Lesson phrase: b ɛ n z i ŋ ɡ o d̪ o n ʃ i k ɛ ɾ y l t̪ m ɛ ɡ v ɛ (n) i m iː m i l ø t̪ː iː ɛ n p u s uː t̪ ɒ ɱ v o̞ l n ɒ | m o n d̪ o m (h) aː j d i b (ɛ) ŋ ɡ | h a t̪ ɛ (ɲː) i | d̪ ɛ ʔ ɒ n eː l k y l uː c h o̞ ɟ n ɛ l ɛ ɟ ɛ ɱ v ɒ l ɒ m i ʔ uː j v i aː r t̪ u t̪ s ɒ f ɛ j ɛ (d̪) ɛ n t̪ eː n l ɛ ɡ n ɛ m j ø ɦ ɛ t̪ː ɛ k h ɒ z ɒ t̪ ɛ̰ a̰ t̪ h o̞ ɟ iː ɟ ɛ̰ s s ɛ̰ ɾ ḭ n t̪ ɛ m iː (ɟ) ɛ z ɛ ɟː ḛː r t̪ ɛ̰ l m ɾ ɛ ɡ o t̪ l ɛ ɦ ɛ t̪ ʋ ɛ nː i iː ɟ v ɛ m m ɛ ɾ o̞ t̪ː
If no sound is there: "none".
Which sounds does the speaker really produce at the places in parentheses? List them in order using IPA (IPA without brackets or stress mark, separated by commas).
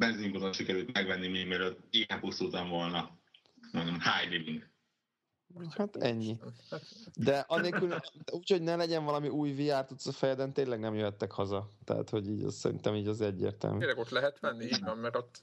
nː, h, i, ɲː, d̪, ɟ